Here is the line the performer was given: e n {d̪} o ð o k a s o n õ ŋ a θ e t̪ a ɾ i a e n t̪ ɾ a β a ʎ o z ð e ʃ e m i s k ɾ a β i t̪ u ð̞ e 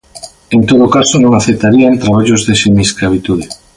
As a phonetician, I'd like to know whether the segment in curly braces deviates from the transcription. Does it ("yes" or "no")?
yes